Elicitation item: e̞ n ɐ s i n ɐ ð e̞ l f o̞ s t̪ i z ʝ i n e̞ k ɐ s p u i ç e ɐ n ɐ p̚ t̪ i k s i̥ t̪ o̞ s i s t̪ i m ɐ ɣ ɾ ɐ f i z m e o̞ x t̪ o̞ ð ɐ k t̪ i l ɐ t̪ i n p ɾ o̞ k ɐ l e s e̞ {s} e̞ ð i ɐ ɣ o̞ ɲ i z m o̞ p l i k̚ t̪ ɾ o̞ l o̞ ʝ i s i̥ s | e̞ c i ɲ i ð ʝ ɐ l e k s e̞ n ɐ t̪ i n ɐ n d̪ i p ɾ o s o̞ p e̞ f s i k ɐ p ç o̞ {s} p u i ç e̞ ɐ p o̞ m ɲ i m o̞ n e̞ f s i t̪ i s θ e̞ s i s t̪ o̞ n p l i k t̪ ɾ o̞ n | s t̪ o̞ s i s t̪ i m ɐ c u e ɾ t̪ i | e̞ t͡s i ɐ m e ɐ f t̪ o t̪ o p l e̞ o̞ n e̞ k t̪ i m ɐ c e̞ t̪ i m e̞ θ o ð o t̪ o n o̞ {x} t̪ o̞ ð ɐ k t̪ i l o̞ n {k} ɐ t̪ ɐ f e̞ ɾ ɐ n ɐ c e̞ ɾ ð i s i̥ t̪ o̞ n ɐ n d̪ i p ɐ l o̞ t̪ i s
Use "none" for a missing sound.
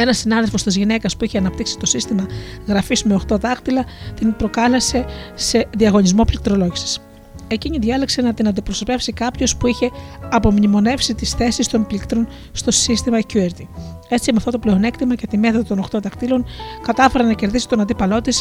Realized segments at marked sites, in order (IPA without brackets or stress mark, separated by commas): s, s, x, k